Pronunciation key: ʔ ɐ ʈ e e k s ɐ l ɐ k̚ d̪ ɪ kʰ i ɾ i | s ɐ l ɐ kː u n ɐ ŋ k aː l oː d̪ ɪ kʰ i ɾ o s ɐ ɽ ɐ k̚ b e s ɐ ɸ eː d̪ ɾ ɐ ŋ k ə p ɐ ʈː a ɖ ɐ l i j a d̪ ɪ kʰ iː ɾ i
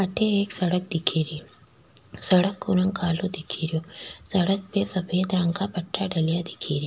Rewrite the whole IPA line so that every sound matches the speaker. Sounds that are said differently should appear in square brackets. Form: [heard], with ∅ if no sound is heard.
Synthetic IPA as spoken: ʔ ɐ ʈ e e k s ɐ [ɽ] ɐ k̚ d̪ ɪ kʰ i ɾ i | s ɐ [ɽ] ɐ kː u n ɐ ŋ k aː l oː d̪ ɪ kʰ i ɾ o s ɐ ɽ ɐ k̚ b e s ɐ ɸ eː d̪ ɾ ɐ ŋ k [a] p ɐ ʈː a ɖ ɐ l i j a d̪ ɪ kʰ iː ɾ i